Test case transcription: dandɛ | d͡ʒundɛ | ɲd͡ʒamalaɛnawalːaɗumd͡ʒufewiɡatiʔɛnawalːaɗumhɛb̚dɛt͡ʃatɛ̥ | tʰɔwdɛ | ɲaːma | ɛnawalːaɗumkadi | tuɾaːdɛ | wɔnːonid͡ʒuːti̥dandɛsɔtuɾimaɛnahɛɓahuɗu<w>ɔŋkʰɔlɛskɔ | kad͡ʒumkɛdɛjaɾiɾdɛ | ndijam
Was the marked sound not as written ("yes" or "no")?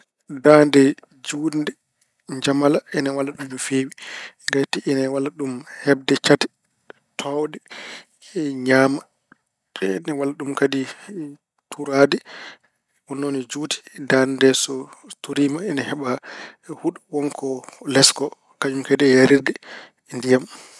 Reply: no